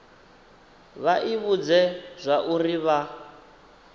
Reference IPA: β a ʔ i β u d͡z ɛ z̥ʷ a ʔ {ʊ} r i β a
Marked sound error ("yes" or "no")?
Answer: yes